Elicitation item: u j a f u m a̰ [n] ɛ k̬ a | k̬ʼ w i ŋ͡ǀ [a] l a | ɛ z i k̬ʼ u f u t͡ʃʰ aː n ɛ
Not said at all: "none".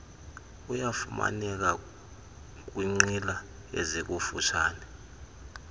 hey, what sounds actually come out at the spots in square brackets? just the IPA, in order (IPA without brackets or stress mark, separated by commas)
n, i